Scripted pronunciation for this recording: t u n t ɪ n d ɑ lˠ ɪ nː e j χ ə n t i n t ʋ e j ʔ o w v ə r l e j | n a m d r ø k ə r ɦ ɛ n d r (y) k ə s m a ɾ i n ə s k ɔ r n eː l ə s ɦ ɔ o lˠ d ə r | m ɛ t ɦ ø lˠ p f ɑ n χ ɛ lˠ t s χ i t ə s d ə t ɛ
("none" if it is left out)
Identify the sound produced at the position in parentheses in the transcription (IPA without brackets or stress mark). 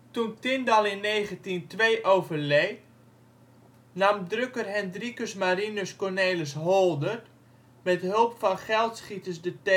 i